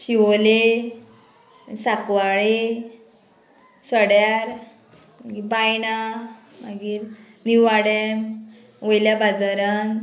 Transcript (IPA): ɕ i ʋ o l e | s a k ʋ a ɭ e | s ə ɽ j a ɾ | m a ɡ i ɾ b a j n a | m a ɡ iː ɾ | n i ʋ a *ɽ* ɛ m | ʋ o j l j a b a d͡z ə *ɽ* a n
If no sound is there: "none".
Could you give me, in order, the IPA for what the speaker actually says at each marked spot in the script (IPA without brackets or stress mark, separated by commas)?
ɽ, ɾ